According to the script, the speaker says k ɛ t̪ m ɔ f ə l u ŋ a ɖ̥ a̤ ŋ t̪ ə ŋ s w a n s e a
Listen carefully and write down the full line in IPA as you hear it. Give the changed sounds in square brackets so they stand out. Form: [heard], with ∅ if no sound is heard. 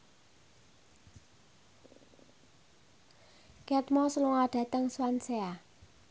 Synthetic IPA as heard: k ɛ t̪ m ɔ [s] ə l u ŋ a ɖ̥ a̤ [∅] t̪ ə ŋ s w a n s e a